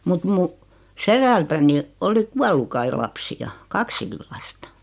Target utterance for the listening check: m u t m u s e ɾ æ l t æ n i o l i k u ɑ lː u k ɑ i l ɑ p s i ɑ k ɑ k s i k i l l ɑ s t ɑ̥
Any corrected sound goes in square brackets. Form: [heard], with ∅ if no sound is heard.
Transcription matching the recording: m u t m u s e ɾ æ l t æ n i o l i k u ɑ lː u k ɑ i l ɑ p s i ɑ k ɑ k s i k i l l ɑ s t ɑ̥